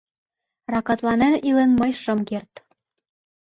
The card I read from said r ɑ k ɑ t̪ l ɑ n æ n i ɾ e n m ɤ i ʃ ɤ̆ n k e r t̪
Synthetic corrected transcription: r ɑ k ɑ t̪ l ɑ n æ n i l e n m ɤ j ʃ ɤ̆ m k e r t̪